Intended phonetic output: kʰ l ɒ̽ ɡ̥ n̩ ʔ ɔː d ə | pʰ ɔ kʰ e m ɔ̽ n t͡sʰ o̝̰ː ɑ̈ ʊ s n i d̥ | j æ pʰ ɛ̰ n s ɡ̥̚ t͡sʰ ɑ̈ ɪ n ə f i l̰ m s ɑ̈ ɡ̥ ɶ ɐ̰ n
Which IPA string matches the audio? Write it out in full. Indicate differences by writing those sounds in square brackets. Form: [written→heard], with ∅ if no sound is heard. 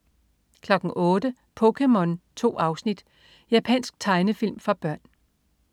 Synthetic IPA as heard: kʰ l ɒ̽ ɡ̥ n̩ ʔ ɔː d ə | pʰ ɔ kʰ e m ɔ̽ n t͡sʰ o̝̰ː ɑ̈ ʊ s n i d̥ | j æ pʰ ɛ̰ n s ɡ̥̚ t͡sʰ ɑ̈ ɪ n ə f i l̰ m [s→f] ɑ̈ [ɡ̥→b̥] ɶ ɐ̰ n